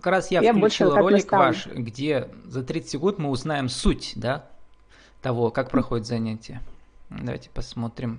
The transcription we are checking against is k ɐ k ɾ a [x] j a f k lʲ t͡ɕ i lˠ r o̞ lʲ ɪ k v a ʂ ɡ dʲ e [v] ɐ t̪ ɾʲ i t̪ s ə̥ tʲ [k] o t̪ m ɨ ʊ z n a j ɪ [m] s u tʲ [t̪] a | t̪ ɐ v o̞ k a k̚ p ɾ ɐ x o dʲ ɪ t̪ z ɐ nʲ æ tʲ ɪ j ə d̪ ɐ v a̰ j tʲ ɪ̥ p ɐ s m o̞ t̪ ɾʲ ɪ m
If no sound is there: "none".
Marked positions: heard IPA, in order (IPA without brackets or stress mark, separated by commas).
s, z, ɡ, m, d̪